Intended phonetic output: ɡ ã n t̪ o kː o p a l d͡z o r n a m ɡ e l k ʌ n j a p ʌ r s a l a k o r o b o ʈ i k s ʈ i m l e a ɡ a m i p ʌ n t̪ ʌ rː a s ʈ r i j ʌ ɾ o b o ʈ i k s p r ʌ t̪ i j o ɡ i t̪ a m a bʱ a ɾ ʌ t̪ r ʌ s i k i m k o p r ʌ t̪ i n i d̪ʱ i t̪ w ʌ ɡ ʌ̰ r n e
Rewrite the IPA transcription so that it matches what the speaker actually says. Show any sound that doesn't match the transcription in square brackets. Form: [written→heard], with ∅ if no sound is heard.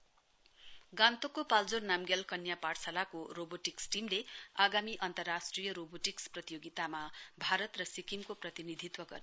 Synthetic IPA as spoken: ɡ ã n t̪ o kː o p a l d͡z o r n a m ɡ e l k ʌ n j a p [ʌ→a] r s a l a k o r o b o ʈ i k s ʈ i m l e a ɡ a m i [p→ʔ] ʌ n t̪ ʌ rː a s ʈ r i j ʌ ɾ o b o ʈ i k s p r ʌ t̪ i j o ɡ i t̪ a m a bʱ a ɾ ʌ t̪ r ʌ s i k i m k o p r ʌ t̪ i n i d̪ʱ i t̪ w ʌ ɡ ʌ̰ r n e